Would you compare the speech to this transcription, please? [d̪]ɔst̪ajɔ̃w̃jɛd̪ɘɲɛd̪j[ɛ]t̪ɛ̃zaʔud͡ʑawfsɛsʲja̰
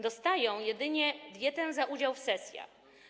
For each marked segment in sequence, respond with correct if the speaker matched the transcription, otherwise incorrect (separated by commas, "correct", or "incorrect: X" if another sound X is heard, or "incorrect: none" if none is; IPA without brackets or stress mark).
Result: correct, correct